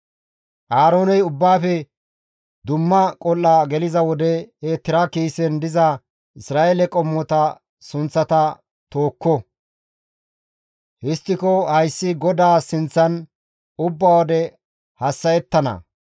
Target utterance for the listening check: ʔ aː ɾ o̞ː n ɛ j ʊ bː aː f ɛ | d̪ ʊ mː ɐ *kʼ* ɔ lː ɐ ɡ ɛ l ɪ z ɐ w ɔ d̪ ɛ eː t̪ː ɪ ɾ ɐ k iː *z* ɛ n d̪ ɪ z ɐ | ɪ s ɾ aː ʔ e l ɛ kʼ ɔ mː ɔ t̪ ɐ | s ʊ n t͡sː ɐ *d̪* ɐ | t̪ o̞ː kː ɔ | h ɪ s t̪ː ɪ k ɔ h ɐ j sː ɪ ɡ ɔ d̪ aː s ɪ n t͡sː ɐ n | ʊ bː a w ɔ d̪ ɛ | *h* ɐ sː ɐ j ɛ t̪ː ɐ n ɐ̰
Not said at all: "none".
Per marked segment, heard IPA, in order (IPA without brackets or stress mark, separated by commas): kʼ, s, t̪, h